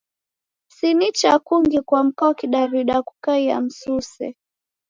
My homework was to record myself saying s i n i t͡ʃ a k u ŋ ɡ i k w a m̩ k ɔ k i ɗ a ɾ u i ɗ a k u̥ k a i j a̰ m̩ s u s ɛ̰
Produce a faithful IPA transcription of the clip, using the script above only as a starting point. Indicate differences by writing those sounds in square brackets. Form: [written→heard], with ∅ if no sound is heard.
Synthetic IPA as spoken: s i n i t͡ʃ a k u ŋ ɡ i k w a m̩ k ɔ k i ɗ a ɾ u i ɗ a k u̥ k a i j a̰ m̩ s u s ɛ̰